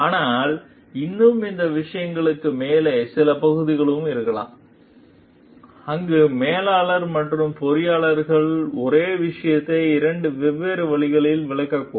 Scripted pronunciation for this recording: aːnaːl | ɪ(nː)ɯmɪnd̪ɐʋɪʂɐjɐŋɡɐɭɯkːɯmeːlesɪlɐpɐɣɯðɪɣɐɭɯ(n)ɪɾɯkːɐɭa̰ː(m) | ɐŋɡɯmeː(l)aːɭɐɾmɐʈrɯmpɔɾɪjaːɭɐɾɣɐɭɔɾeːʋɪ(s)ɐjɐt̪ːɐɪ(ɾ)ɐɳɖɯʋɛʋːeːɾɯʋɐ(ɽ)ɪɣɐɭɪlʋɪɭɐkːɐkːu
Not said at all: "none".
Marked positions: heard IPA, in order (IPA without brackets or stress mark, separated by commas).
nː, m, m, l, ʂ, ɾ, ɭ